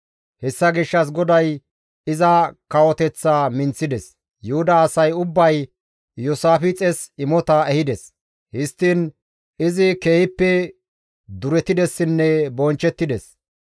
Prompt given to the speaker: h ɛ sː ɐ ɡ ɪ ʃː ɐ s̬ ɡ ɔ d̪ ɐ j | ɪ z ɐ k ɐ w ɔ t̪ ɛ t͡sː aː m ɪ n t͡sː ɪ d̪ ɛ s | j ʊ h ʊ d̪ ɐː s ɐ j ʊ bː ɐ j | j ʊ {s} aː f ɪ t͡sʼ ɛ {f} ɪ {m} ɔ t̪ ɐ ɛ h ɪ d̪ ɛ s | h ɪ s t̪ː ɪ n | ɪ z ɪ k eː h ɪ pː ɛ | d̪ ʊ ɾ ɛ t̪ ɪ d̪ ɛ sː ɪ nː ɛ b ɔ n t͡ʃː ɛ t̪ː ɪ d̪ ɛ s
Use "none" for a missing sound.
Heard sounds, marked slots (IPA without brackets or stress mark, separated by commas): s, s, m